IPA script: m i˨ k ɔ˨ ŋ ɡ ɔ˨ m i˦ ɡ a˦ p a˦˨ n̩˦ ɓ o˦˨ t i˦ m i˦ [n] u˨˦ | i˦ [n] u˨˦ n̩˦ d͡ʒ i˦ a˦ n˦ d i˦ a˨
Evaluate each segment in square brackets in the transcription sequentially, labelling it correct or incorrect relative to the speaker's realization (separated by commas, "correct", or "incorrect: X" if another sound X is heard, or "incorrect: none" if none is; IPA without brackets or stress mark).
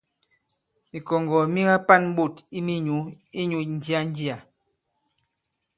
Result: incorrect: ɲ, incorrect: ɲ